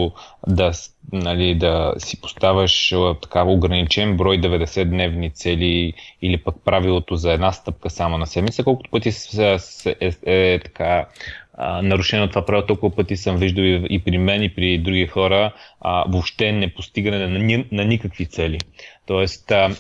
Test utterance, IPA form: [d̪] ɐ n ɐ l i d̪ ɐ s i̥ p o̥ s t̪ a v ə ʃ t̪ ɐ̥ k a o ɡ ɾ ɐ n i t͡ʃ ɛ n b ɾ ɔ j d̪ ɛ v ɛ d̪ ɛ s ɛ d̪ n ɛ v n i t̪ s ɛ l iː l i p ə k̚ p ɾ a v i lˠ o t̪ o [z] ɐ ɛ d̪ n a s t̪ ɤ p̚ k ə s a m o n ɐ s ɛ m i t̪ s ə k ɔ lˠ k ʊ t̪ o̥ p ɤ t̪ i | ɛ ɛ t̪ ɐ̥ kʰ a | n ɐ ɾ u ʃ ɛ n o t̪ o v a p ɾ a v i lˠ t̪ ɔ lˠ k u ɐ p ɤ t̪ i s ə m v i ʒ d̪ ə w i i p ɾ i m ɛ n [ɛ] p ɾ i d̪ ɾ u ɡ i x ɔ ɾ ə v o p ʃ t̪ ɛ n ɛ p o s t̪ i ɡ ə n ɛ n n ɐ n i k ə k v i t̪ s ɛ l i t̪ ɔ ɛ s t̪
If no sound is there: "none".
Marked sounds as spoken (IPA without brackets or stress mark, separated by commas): d̪, z, i